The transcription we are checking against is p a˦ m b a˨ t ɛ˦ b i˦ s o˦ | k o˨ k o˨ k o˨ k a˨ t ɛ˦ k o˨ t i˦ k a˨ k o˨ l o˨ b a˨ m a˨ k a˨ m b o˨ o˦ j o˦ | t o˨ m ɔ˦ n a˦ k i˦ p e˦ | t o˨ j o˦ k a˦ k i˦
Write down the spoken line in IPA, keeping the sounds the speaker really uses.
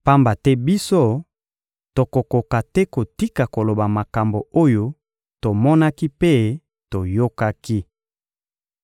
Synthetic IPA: p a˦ m b a˨ t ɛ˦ b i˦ s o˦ | t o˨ k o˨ k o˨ k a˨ t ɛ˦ k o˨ t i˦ k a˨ k o˨ l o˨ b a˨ m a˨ k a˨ m b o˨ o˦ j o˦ | t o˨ m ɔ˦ n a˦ k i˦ p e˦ | t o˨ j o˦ k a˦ k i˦

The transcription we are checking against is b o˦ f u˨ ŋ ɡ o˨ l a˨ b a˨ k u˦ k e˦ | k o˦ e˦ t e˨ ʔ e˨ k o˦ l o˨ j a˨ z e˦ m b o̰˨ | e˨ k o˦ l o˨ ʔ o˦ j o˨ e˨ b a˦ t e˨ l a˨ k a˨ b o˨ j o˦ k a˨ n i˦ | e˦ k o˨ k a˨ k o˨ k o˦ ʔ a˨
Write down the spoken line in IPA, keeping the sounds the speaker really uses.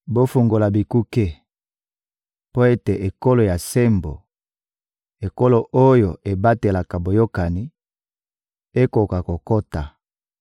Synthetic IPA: b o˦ f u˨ ŋ ɡ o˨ l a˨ b i˨ k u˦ k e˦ | p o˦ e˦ t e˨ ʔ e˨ k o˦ l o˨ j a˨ s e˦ m b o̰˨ | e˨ k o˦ l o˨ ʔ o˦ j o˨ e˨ b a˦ t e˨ l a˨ k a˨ b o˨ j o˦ k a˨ n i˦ | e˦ k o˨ k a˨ k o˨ k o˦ t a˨

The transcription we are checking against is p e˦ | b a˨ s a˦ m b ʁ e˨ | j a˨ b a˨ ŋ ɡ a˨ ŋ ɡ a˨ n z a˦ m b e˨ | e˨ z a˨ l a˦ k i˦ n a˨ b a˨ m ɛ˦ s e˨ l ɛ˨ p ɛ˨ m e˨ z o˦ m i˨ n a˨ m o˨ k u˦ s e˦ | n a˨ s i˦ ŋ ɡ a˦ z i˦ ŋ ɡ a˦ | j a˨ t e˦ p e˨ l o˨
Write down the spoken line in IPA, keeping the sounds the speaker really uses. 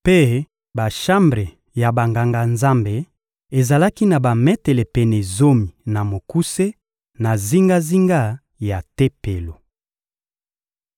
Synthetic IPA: p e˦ | b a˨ ʃ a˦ m b ʁ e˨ | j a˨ b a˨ ŋ ɡ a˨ ŋ ɡ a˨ n z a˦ m b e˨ | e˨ z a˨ l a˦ k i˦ n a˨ b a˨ m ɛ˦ t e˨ l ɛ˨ p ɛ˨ n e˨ z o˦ m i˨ n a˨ m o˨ k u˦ s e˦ | n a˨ z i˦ ŋ ɡ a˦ z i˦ ŋ ɡ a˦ | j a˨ t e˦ p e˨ l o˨

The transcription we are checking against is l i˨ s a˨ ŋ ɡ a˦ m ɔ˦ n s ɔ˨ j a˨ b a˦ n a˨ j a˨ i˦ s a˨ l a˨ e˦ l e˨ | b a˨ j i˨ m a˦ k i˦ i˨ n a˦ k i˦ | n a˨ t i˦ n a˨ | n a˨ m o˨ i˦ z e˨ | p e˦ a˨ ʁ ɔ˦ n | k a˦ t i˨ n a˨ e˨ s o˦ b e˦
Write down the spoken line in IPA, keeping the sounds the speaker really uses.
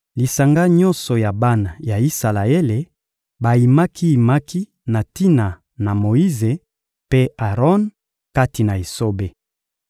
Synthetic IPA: l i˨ s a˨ ŋ ɡ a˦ ɲ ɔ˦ n s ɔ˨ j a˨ b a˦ n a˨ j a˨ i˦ s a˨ l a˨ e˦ l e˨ | b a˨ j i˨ m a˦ k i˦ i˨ m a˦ k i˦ | n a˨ t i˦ n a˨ | n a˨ m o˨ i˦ z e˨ | p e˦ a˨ ʁ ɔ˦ n | k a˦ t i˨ n a˨ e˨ s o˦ b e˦

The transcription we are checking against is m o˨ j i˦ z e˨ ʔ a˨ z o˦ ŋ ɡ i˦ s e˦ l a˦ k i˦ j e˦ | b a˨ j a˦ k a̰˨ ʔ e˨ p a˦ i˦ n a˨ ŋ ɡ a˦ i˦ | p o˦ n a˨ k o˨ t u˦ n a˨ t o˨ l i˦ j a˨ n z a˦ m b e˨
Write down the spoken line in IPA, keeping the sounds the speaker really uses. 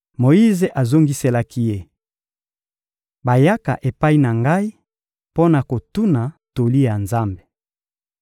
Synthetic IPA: m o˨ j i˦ z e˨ ʔ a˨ z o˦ ŋ ɡ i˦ s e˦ l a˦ k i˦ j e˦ | b a˨ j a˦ k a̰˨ ʔ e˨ p a˦ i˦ n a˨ ŋ ɡ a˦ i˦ | p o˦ n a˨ k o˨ t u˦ n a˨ t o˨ l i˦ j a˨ n z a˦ m b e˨

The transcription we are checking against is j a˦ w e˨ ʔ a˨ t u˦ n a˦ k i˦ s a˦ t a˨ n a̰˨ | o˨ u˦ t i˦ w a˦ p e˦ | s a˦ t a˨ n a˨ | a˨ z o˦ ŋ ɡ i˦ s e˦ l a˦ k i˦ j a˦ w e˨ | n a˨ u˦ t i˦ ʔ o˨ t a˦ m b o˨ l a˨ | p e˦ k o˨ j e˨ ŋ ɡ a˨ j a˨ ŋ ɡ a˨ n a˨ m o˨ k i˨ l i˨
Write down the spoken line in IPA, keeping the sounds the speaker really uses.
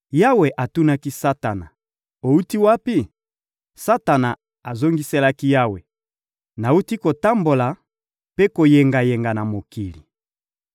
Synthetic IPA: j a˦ w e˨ ʔ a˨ t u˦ n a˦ k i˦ s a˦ t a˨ n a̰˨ | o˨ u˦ t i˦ w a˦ p i˦ | s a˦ t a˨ n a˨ | a˨ z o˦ ŋ ɡ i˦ s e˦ l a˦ k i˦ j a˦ w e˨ | n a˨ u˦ t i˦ k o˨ t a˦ m b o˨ l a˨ | p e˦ k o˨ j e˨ ŋ ɡ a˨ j e˨ ŋ ɡ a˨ n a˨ m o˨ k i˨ l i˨

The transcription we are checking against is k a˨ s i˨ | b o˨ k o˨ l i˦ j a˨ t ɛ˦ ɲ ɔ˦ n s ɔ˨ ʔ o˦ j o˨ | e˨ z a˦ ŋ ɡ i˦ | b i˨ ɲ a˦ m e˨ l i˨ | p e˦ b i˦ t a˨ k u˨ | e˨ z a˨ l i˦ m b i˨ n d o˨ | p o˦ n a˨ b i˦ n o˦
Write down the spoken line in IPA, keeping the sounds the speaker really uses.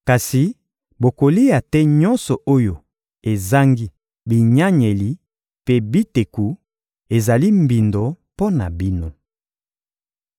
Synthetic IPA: k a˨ s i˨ | b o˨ k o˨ l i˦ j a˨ t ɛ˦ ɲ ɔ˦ n s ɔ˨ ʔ o˦ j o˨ | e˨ z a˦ ŋ ɡ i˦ | b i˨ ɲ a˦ ɲ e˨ l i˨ | p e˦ b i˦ t e˨ k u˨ | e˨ z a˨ l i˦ m b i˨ n d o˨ | p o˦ n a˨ b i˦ n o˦

